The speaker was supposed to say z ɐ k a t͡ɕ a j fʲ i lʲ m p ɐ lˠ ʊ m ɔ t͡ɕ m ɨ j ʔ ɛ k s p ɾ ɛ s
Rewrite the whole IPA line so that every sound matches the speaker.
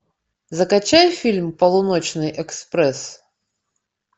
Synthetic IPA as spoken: z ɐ k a t͡ɕ a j fʲ i lʲ m p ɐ lˠ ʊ n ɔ t͡ɕ n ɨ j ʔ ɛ k s p ɾ ɛ s